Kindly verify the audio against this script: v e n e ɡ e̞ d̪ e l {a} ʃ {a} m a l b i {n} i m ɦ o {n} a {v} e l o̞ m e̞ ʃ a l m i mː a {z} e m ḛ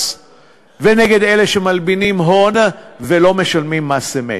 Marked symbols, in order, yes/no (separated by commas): no, no, yes, yes, yes, no